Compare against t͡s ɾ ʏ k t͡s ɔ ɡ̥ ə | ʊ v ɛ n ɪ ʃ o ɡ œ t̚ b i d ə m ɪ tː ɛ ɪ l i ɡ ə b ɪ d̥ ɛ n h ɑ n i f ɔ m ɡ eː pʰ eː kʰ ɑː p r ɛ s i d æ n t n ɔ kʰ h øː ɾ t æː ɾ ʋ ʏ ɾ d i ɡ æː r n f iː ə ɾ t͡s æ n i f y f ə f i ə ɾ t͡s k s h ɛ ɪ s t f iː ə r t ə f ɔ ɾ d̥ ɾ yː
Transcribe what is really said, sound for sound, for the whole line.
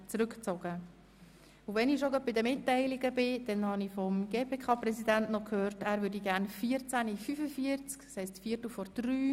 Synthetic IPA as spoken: t͡s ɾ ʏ k t͡s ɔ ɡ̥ ə | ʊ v ɛ n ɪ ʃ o ɡ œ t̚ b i d ə m ɪ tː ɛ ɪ l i ɡ ə b ɪ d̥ ɛ n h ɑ n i f ɔ m ɡ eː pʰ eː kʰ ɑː p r ɛ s i d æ n t n ɔ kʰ h øː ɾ t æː ɾ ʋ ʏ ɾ d i ɡ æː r n f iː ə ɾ t͡s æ n i f y f ə f i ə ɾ t͡s k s h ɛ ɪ s t f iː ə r t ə f ɔ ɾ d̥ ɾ yː